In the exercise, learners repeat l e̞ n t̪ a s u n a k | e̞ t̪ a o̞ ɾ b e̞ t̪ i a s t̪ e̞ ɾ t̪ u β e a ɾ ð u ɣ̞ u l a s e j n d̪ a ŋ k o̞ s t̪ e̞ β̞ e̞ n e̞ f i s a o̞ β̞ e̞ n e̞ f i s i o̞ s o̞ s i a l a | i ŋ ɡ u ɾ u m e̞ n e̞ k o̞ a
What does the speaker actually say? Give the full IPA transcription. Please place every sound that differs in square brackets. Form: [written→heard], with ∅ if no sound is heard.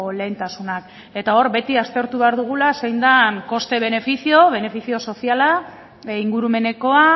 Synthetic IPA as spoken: l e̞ n t̪ a s u n a k | e̞ t̪ a o̞ ɾ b e̞ t̪ i a s t̪ e̞ ɾ t̪ u β e a ɾ ð u ɣ̞ u l a s e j n d̪ a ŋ k o̞ s t̪ e̞ β̞ e̞ n e̞ f i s [a→i] o̞ β̞ e̞ n e̞ f i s i o̞ s o̞ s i a l a | i ŋ ɡ u ɾ u m e̞ n e̞ k o̞ a